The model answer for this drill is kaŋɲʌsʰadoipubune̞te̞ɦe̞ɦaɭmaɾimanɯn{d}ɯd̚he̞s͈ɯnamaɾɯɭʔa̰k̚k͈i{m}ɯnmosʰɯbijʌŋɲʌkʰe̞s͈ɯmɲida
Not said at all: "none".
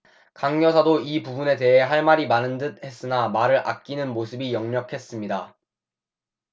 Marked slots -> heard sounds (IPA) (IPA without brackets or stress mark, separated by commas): d, n